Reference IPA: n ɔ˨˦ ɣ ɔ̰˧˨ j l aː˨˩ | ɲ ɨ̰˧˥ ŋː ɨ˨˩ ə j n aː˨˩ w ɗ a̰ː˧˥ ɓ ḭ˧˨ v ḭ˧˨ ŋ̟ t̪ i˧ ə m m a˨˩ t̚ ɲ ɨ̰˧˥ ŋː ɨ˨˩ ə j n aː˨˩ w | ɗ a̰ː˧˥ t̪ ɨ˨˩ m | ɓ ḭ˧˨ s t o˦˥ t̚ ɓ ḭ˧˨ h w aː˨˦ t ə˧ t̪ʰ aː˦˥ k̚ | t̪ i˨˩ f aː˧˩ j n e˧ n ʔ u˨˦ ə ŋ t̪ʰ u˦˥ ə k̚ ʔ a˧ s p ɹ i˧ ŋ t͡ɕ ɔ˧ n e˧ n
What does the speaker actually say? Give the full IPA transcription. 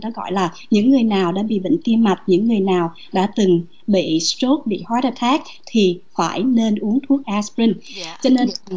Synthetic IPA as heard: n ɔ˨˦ ɣ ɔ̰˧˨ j l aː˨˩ | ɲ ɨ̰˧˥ ŋː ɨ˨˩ ə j n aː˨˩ w ɗ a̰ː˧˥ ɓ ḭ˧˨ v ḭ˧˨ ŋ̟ t̪ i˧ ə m m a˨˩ t̚ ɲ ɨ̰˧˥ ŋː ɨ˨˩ ə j n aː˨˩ w | ɗ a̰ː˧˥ t̪ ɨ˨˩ ŋ | ɓ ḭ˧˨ s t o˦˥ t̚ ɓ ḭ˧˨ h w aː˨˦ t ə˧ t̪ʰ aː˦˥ k̚ | t̪ʰ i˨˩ f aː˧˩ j n e˧ n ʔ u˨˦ ə ŋ t̪ʰ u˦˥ ə k̚ ʔ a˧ s p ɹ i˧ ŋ t͡ɕ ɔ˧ n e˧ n